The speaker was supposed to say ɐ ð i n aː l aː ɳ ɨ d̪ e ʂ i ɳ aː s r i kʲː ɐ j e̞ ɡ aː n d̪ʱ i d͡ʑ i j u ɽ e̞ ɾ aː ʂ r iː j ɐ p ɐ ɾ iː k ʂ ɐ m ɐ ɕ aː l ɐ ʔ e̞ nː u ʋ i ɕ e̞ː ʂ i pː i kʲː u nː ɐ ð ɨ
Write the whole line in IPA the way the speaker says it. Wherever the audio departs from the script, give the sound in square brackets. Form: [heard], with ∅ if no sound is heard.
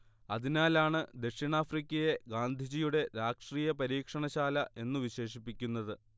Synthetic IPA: ɐ ð i n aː l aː ɳ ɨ d̪ e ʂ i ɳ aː [f] r i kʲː ɐ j e̞ ɡ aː n d̪ʱ i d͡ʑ i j u ɽ e̞ ɾ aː ʂ r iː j ɐ p ɐ ɾ iː k ʂ ɐ [ɳ] ɐ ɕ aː l ɐ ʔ e̞ nː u ʋ i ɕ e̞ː ʂ i pː i kʲː u nː ɐ ð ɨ